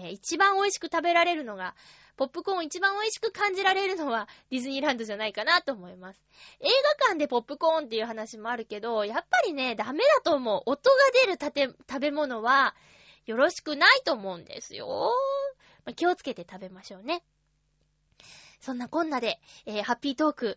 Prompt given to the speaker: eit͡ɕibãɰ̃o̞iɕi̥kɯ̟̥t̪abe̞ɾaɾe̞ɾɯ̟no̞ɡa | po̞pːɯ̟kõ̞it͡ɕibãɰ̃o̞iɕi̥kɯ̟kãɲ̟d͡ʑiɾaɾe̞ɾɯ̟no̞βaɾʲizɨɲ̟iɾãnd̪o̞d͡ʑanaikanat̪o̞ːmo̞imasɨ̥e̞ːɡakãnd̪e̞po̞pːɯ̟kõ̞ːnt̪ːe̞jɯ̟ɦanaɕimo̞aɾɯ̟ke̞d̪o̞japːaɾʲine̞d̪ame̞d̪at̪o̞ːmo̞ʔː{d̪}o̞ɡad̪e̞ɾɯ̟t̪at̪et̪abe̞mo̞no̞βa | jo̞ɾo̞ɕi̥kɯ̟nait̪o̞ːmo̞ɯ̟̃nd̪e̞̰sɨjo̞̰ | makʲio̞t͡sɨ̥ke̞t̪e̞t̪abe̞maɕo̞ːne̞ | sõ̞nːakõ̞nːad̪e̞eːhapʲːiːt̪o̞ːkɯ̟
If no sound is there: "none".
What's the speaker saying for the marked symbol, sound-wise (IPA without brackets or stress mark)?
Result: t̪